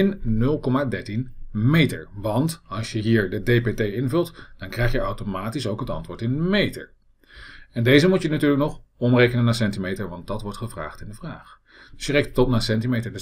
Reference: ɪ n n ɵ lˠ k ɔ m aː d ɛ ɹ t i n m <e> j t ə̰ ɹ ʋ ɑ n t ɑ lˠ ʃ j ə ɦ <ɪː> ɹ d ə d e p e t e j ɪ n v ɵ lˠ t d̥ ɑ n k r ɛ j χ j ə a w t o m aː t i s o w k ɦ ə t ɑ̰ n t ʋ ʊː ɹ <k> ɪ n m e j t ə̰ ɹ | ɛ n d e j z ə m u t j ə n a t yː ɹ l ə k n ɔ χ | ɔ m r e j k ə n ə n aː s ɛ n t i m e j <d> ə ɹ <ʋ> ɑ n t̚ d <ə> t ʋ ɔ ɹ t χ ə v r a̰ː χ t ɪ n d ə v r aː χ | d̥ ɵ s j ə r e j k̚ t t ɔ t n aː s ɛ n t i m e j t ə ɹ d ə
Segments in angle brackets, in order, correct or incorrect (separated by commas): correct, incorrect, incorrect, incorrect, correct, incorrect